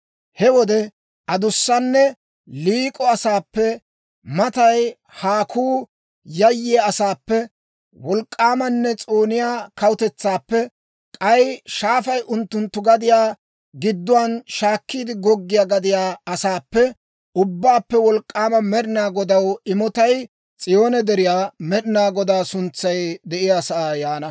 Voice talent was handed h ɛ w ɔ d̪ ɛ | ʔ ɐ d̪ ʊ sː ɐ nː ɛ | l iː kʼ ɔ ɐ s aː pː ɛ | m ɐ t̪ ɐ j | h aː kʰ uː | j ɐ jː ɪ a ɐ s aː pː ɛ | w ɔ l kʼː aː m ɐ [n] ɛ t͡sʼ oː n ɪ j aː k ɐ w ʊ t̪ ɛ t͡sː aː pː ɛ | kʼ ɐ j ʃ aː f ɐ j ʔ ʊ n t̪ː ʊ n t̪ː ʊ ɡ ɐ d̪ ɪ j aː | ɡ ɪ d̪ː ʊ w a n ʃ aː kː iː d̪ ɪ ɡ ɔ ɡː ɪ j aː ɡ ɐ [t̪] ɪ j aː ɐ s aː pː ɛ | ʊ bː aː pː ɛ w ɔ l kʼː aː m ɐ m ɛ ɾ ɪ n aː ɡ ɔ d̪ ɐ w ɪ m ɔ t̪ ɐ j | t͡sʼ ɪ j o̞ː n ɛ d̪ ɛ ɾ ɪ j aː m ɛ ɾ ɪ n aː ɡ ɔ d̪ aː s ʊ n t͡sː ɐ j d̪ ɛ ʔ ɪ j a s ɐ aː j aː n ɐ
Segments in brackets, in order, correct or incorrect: incorrect: nː, incorrect: d̪

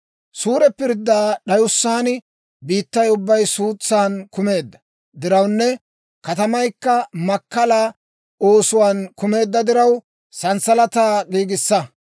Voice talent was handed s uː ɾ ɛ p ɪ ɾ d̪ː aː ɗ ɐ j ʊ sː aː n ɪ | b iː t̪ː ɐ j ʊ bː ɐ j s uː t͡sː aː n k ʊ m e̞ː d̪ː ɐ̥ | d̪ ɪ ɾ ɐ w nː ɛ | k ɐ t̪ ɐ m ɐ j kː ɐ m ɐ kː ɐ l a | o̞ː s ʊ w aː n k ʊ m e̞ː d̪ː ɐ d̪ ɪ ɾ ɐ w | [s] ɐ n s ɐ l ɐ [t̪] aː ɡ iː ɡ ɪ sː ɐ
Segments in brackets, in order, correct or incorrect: correct, correct

